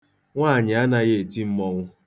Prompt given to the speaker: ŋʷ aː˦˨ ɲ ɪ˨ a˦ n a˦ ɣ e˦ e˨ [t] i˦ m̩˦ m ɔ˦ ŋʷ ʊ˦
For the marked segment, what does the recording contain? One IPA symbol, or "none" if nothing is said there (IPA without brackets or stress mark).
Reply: t